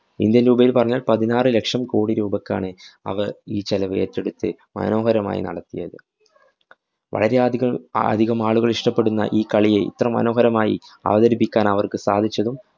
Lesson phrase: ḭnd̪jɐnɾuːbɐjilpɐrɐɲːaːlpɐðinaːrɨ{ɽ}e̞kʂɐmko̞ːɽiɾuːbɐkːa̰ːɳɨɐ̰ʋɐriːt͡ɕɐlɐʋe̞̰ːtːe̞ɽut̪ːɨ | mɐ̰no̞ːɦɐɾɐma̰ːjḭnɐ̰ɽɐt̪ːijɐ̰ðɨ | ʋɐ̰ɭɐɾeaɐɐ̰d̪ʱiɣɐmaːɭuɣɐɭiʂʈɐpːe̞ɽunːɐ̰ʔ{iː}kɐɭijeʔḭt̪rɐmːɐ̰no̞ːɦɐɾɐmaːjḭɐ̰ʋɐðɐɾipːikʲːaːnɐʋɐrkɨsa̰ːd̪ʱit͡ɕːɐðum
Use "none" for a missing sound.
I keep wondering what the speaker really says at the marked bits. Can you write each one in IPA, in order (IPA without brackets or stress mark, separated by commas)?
l, iː